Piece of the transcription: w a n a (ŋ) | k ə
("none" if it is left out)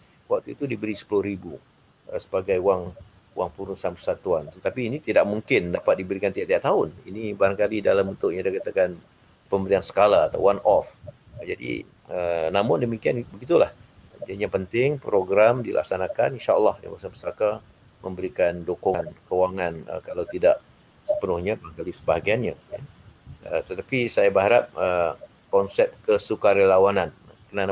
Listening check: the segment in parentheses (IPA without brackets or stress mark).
n